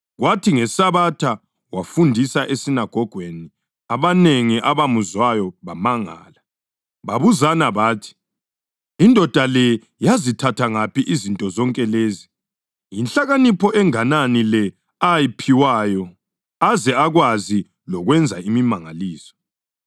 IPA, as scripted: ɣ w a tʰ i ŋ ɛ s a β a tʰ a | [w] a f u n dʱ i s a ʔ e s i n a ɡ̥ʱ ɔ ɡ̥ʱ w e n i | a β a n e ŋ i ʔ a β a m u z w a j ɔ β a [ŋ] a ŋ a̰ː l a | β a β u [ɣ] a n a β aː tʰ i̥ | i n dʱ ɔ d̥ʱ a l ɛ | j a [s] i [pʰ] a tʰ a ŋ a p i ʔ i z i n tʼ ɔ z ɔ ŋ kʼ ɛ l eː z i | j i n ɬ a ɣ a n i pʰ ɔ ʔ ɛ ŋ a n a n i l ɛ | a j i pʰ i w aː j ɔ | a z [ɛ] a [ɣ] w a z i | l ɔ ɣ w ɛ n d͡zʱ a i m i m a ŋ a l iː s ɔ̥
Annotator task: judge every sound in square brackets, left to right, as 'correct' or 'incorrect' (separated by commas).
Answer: correct, incorrect, incorrect, incorrect, incorrect, correct, correct